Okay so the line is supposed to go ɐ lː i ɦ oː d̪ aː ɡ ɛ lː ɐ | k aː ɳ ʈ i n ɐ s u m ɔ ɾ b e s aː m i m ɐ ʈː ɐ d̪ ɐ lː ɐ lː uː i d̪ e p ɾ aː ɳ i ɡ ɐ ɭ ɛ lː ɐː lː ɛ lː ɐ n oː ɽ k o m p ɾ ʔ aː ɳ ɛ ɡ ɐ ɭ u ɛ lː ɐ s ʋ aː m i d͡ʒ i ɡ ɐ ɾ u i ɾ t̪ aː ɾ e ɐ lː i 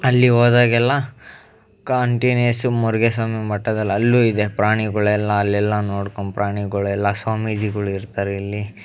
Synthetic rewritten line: ɐ lː i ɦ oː d̪ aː ɡ ɛ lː ɐ | k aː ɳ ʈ i n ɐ s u m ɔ ɾ ɡ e s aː m i m ɐ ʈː ɐ d̪ ɐ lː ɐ lː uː i d̪ e p ɾ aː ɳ i ɡ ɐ ɭ ɛ lː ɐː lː ɛ lː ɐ n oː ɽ k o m p ɾ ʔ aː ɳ i ɡ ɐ ɭ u ɛ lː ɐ s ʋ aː m i d͡ʒ i ɡ ɐ ɭ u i ɾ t̪ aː ɾ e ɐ lː i